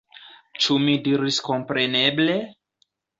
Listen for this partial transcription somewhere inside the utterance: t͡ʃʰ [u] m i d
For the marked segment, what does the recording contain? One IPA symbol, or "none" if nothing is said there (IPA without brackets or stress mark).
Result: u